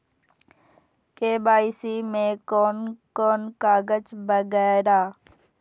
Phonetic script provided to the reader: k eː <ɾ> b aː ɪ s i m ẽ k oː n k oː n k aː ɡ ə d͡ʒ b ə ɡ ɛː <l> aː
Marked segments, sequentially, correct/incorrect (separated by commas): incorrect, incorrect